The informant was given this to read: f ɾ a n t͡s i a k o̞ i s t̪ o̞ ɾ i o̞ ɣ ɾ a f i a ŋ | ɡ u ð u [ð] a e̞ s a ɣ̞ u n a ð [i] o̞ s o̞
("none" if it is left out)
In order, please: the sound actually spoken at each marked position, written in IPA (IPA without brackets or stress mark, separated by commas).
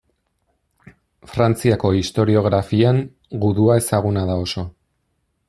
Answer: none, a